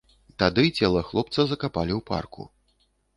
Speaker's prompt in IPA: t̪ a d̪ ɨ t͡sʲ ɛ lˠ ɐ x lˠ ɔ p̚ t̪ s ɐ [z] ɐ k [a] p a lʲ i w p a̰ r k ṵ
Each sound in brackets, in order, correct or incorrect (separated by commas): correct, correct